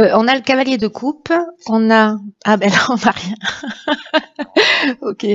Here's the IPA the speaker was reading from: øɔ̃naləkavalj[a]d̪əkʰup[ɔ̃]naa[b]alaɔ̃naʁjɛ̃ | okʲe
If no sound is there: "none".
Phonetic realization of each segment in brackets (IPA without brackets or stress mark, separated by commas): e, ɔ̃, b